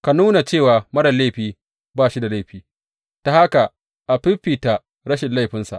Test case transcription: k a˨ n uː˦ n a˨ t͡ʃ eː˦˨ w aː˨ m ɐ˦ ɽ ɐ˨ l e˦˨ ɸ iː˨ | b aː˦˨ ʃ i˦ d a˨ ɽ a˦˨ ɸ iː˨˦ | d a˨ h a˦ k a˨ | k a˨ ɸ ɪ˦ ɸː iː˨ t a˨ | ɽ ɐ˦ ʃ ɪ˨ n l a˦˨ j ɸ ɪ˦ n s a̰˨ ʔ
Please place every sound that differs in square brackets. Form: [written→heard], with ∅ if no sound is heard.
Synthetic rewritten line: k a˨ n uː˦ n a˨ t͡ʃ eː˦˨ w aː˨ m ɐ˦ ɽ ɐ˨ l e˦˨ ɸ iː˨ | b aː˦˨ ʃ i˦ d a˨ [ɽ→l] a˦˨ ɸ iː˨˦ | [d→t] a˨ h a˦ k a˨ | [k→ʔ] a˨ ɸ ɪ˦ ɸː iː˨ t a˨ | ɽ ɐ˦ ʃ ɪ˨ n l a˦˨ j ɸ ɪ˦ n s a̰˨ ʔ